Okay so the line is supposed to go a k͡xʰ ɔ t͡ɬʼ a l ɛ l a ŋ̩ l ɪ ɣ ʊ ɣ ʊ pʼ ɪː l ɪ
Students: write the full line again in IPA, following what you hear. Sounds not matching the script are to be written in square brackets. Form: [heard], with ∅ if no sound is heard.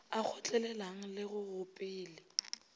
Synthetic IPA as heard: a k͡xʰ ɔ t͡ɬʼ [ɛ] l ɛ l a ŋ̩ l ɪ ɣ ʊ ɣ ʊ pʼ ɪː l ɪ